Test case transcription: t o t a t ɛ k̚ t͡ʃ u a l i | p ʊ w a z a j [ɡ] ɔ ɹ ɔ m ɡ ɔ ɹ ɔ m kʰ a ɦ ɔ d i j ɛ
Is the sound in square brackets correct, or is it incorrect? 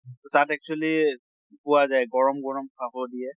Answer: correct